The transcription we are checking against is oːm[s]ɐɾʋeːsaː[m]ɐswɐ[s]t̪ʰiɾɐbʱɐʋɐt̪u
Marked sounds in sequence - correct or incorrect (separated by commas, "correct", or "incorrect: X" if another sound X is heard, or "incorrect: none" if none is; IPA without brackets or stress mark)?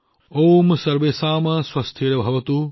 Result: correct, correct, correct